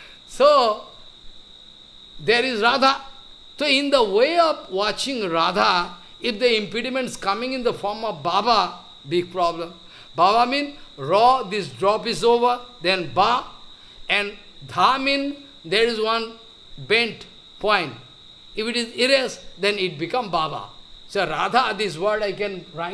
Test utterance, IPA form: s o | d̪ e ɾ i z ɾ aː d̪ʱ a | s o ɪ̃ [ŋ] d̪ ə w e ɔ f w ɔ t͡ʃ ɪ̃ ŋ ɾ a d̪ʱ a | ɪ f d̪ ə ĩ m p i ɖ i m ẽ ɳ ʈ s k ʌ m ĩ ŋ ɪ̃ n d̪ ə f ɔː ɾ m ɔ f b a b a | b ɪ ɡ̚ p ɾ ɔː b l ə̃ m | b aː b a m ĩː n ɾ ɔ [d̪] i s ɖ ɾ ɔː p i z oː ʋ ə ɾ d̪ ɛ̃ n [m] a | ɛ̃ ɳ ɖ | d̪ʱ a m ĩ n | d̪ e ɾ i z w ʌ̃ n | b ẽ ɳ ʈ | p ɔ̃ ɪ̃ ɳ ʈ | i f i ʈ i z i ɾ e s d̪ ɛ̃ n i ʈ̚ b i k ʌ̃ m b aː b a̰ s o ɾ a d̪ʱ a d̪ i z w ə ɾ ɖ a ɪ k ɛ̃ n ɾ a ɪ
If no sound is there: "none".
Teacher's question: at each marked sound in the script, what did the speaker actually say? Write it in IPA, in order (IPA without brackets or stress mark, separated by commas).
n, d̪, b